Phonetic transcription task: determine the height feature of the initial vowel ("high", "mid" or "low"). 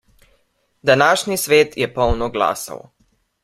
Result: low